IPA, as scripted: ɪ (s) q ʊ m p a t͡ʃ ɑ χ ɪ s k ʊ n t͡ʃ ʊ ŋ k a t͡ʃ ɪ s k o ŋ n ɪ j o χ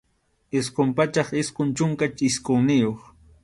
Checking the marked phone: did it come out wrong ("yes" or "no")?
no